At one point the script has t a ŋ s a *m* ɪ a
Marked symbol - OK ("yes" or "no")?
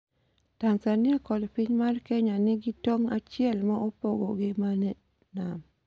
no